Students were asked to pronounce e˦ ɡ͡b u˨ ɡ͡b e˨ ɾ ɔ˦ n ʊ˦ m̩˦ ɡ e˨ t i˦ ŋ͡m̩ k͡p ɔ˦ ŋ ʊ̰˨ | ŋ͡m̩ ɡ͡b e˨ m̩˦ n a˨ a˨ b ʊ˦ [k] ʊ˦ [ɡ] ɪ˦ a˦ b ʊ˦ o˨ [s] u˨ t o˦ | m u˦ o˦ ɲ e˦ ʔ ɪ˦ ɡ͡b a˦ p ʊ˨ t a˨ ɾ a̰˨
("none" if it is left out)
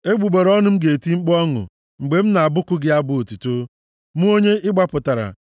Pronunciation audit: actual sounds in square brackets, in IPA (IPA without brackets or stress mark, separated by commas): k, ɡ, t